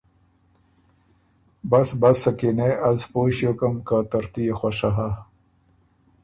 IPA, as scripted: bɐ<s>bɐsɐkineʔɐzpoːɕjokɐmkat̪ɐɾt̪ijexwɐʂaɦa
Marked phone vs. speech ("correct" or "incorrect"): correct